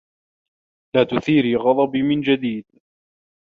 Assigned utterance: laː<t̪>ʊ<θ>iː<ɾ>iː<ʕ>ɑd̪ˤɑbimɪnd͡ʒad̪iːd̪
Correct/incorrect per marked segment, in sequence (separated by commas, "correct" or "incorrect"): correct, correct, correct, incorrect